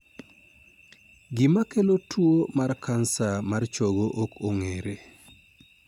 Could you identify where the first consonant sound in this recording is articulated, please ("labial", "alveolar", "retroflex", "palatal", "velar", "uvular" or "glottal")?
velar